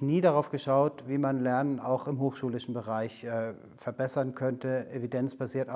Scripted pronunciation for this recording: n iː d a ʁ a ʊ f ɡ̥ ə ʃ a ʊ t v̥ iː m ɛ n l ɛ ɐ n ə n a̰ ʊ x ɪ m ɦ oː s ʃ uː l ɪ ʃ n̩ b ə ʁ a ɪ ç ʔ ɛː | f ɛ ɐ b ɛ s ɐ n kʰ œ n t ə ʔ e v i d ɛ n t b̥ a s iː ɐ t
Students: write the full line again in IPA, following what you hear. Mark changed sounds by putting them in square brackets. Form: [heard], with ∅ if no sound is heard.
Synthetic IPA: n iː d a ʁ a ʊ f ɡ̥ ə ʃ a ʊ t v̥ iː m [a] n l ɛ ɐ n ə n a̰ ʊ x ɪ m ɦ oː [x] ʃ uː l ɪ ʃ n̩ b ə ʁ a ɪ ç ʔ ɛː | f ɛ ɐ b ɛ s ɐ n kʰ œ n t ə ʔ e v i d ɛ n [t͡s] b̥ a [z] iː ɐ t